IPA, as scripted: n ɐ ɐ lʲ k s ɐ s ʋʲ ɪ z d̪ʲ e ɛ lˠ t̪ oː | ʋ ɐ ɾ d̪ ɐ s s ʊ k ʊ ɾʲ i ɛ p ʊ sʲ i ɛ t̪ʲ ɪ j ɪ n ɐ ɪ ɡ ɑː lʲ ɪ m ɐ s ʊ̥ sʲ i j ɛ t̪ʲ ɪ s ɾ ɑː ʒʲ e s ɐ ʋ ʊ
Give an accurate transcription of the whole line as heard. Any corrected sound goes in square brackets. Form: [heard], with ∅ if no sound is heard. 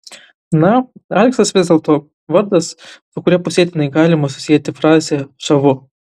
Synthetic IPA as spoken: n ɐ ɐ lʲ k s ɐ s ʋʲ ɪ z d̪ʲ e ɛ lˠ t̪ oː | ʋ ɐ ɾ d̪ ɐ s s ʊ k ʊ ɾʲ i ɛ p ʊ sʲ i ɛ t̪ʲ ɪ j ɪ n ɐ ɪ ɡ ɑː lʲ ɪ m ɐ s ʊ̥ sʲ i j ɛ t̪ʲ ɪ [f] ɾ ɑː [zʲ] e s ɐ ʋ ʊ